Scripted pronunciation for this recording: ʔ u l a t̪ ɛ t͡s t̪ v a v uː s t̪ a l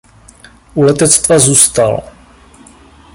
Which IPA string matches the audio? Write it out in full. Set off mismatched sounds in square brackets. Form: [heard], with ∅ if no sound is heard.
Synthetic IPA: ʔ u l [ɛ] t̪ ɛ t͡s t̪ v a [z] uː s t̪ a l

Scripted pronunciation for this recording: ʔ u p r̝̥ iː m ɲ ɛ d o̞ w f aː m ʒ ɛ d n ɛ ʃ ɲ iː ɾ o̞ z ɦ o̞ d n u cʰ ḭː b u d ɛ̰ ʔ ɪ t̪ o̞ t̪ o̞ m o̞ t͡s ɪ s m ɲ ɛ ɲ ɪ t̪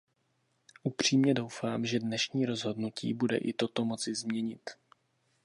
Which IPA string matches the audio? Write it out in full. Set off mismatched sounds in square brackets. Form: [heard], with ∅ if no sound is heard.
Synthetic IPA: ʔ u p r̝̥ iː m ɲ ɛ d o̞ w f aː m ʒ ɛ d n ɛ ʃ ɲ iː ɾ o̞ z ɦ o̞ d n u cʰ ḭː b u d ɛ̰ ʔ ɪ t̪ o̞ t̪ o̞ m o̞ t͡s ɪ [z] m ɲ ɛ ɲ ɪ t̪

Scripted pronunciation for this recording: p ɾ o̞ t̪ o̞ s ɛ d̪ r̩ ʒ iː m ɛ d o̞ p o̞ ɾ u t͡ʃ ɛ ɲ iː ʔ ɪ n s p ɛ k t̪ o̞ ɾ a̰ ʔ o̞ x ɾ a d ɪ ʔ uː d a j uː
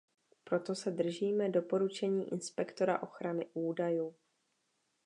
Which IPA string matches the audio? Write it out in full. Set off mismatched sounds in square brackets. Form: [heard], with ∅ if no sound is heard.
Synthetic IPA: p ɾ o̞ t̪ o̞ s ɛ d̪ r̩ ʒ iː m ɛ d o̞ p o̞ ɾ u t͡ʃ ɛ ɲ iː ʔ ɪ n s p ɛ k t̪ o̞ ɾ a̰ ʔ o̞ x ɾ a [n] ɪ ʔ uː d a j uː

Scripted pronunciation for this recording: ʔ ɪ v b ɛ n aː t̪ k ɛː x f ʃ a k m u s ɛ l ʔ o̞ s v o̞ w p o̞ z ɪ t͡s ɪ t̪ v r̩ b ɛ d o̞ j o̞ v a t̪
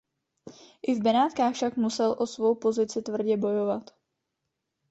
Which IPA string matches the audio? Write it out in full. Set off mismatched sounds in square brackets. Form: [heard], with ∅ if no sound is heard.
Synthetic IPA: ʔ ɪ v b ɛ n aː t̪ k [aː] x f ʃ a k m u s ɛ l ʔ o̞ s v o̞ w p o̞ z ɪ t͡s ɪ t̪ v r̩ [ɟ] ɛ [b] o̞ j o̞ v a t̪

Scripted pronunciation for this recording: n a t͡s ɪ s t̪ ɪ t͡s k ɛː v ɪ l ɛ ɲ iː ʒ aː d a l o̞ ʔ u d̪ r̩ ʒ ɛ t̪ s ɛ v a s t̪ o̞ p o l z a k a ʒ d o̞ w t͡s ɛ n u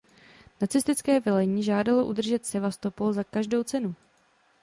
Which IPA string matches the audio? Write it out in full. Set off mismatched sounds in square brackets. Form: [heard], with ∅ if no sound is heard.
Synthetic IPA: n a t͡s ɪ s t̪ ɪ t͡s k ɛː v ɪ l ɛ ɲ iː ʒ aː d a l o̞ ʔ u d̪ r̩ ʒ ɛ t̪ s ɛ v a s t̪ o̞ p o l z a k a ʒ d o̞ w t͡s ɛ n u

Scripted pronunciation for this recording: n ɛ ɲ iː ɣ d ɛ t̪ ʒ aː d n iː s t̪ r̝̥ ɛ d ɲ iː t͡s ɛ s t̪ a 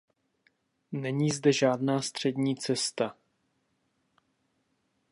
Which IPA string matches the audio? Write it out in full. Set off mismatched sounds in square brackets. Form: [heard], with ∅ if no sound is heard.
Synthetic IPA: n ɛ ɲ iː [z] d ɛ [∅] ʒ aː d n [aː] s t̪ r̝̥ ɛ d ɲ iː t͡s ɛ s t̪ a

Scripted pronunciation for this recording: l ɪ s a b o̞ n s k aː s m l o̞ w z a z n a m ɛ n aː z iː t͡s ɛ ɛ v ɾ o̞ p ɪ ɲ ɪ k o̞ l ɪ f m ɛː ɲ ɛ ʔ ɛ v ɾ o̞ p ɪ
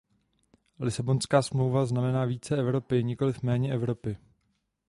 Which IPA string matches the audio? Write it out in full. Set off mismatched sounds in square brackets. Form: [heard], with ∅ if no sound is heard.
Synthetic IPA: l ɪ s a b o̞ n s k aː s m l o̞ w [v] a z n a m ɛ n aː [v] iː t͡s ɛ ɛ v ɾ o̞ p ɪ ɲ ɪ k o̞ l ɪ f m ɛː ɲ ɛ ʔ ɛ v ɾ o̞ p ɪ

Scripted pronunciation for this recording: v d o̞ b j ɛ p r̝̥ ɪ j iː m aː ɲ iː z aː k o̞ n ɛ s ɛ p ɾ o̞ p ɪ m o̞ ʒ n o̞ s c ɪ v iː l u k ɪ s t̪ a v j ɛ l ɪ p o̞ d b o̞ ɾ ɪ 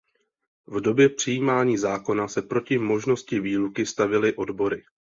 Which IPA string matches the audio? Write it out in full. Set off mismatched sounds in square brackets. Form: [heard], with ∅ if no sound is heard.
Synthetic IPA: v d o̞ b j ɛ p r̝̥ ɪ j iː m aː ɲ iː z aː k o̞ n [a] s ɛ p ɾ o̞ [c] ɪ m o̞ ʒ n o̞ s c ɪ v iː l u k ɪ s t̪ a v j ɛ l ɪ [ʔ] o̞ d b o̞ ɾ ɪ

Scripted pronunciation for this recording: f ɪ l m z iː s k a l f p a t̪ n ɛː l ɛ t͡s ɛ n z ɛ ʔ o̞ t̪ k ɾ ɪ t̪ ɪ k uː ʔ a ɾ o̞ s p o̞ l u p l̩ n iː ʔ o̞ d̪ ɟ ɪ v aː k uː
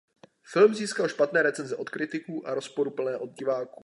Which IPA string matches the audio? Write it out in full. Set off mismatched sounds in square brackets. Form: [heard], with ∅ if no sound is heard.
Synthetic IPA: f ɪ l m z iː s k a l [ʃ] p a t̪ n ɛː [ɾ] ɛ t͡s ɛ n z ɛ ʔ o̞ t̪ k ɾ ɪ t̪ ɪ k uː ʔ a ɾ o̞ s p o̞ [ɾ] u p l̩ n [ɛː] ʔ o̞ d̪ ɟ ɪ v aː k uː

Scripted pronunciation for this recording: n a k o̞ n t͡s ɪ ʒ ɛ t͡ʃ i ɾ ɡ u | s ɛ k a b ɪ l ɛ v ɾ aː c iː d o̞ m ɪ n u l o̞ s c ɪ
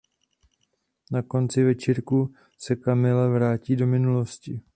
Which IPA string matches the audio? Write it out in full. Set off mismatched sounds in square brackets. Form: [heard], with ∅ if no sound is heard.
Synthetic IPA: n a k o̞ n t͡s ɪ [v] ɛ t͡ʃ i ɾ [k] u | s ɛ k a [m] ɪ l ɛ v ɾ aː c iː d o̞ m ɪ n u l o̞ s c ɪ

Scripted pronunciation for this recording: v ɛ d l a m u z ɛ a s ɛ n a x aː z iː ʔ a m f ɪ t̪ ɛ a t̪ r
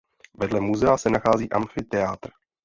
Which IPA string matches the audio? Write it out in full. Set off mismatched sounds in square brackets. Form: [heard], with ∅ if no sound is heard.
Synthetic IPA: v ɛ d l [ɛ] m u z ɛ a s ɛ n a x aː z iː ʔ a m f ɪ t̪ ɛ a t̪ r

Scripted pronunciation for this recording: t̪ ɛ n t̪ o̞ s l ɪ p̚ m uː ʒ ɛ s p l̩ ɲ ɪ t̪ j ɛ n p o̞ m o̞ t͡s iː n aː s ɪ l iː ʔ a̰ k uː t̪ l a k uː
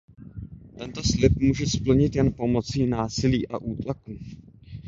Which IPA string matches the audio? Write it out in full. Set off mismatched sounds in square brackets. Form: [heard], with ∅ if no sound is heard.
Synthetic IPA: t̪ ɛ n t̪ o̞ s l ɪ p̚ m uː ʒ ɛ s p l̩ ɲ ɪ t̪ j ɛ n p o̞ m o̞ t͡s iː n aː s ɪ l iː ʔ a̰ [ʔ] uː t̪ l a k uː

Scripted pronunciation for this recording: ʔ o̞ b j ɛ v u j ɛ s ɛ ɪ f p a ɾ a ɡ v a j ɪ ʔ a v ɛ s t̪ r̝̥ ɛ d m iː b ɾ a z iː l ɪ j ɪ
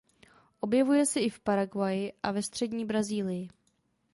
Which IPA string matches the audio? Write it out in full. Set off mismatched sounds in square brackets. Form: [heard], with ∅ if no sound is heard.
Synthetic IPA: ʔ o̞ b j ɛ v u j ɛ s ɛ ɪ f p a ɾ a ɡ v a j ɪ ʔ a v ɛ s t̪ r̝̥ ɛ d [ɲ] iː b ɾ a z iː l ɪ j ɪ

